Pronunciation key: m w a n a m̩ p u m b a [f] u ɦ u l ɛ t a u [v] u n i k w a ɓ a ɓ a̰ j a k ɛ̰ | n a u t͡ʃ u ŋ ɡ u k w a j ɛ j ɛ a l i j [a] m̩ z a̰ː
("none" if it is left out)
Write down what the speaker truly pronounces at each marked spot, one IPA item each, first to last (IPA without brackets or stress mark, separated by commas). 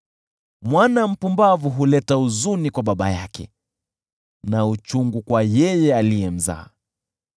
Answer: v, z, ɛ